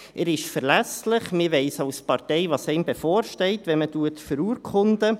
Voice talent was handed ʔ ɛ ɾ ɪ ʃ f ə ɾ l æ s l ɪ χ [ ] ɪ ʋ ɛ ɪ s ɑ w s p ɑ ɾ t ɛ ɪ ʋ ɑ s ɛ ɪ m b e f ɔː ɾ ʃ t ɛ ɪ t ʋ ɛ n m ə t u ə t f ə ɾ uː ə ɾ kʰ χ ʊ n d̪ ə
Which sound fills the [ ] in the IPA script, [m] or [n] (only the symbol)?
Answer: m